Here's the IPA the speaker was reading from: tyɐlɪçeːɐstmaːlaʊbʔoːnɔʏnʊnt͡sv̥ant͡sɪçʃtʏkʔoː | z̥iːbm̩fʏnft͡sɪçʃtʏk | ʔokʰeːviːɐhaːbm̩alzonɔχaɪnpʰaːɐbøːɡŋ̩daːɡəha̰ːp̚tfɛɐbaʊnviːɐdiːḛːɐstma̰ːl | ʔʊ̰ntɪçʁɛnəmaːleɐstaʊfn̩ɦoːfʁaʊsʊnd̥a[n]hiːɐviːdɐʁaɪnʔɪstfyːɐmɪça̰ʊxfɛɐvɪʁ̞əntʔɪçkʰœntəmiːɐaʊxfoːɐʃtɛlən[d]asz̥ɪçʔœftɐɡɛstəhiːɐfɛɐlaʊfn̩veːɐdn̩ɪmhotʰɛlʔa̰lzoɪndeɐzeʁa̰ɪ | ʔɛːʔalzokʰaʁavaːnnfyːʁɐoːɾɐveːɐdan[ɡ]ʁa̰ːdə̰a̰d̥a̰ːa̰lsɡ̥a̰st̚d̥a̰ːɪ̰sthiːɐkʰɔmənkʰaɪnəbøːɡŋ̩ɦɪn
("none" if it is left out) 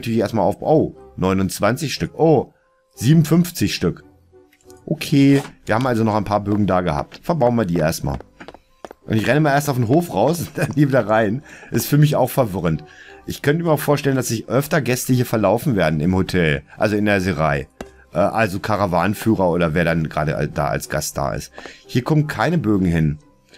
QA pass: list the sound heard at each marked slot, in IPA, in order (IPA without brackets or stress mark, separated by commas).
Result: n, d, ɡ